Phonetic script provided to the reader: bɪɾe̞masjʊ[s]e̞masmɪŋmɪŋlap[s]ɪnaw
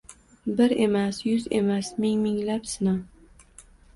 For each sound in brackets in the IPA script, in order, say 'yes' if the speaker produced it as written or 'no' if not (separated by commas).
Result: no, yes